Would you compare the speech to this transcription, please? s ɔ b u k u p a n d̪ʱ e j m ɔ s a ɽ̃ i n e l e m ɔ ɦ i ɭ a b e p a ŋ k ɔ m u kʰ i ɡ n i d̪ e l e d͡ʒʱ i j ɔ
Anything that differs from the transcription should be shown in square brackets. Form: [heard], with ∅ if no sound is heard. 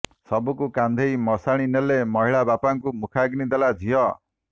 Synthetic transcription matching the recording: s ɔ b u k u [k] a n d̪ʱ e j m ɔ s a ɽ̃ i n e l e m ɔ ɦ i ɭ a b [a] p a ŋ k [u] m u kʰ [a] ɡ n i d̪ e l [a] d͡ʒʱ i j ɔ